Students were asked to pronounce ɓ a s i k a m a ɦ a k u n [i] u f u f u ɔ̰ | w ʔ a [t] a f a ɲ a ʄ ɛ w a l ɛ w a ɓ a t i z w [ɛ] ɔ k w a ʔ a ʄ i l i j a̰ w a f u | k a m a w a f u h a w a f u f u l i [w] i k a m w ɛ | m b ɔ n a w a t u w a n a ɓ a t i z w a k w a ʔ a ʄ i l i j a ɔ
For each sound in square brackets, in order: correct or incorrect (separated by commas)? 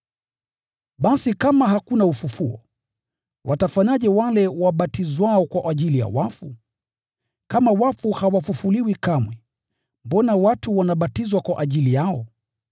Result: incorrect, correct, incorrect, correct